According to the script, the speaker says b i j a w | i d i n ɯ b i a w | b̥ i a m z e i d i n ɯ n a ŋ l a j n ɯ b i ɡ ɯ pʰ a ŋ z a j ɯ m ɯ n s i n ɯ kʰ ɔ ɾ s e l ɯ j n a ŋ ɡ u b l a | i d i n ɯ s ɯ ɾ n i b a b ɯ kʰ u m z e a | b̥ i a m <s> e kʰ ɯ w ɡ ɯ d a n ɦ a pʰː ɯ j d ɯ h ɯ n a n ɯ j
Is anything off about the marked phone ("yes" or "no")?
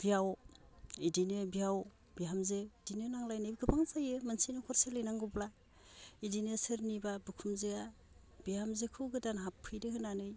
yes